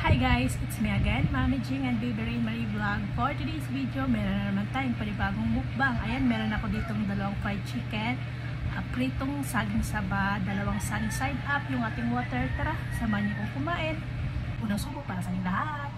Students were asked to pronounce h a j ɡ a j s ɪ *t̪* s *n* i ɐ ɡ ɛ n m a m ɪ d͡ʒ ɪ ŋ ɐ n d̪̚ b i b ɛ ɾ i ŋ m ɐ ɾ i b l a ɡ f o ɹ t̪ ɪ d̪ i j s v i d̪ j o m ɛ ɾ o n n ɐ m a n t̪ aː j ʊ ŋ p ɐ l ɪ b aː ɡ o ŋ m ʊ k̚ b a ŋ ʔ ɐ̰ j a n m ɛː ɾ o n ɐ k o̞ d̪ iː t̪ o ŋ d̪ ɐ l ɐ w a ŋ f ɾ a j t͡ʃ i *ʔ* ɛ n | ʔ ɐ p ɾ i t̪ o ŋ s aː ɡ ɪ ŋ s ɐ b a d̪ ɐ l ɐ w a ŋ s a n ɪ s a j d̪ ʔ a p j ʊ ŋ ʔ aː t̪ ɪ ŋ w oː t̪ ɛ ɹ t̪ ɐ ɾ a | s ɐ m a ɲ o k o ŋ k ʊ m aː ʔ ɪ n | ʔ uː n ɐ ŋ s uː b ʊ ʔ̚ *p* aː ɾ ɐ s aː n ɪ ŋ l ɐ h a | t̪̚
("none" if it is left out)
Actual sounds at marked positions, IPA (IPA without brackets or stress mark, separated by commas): t̪, m, k, p